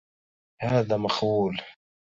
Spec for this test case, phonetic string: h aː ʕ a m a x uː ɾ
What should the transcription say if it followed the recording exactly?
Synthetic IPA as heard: h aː ð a m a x uː l